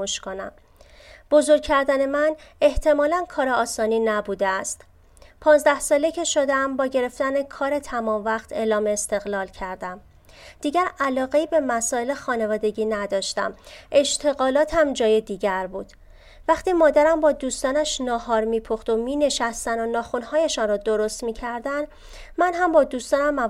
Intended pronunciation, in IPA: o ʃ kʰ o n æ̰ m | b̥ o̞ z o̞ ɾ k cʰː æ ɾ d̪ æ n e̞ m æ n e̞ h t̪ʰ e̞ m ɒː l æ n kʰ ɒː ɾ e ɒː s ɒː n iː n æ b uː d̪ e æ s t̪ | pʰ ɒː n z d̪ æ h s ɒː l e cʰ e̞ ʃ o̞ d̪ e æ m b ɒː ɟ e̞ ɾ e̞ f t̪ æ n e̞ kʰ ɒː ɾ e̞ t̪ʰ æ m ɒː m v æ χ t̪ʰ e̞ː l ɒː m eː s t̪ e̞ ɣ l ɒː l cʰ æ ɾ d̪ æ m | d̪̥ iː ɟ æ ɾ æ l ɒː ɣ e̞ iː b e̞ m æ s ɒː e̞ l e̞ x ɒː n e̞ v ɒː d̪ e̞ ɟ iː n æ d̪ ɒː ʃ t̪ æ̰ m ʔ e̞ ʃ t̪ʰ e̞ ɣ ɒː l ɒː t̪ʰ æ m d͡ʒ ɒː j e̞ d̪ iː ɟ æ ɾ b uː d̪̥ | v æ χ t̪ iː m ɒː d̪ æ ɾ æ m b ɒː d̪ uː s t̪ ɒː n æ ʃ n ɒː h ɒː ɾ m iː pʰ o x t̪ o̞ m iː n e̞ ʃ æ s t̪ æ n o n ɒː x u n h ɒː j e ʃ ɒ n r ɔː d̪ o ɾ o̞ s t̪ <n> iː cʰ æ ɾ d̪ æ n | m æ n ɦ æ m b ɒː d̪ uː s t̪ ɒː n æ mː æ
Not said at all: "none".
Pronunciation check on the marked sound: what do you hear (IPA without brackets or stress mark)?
m